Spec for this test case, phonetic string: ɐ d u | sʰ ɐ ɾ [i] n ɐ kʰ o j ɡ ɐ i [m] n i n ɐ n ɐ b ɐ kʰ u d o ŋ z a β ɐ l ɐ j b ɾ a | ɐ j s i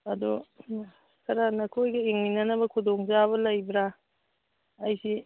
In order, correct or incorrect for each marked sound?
incorrect: a, incorrect: ŋ

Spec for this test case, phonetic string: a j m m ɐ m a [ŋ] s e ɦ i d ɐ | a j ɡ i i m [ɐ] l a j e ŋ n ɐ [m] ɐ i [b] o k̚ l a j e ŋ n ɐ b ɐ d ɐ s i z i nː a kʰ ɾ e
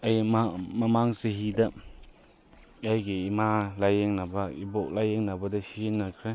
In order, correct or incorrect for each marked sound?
correct, incorrect: a, incorrect: b, correct

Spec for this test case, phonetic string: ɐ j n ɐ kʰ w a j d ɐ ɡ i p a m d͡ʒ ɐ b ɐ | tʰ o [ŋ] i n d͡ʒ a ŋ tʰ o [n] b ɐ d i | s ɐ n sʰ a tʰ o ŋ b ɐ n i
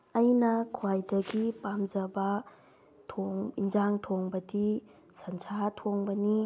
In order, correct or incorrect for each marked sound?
correct, incorrect: ŋ

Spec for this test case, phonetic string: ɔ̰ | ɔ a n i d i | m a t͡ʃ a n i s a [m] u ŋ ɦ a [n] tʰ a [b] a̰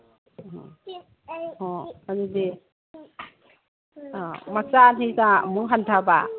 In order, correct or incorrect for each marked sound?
correct, correct, correct

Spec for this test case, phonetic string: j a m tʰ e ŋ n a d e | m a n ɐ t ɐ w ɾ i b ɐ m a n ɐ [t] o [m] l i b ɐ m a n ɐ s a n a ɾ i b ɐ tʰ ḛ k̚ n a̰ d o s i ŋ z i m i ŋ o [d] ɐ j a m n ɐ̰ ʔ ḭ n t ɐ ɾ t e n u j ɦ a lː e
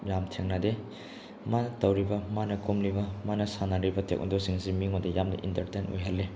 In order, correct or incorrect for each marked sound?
incorrect: k, correct, correct

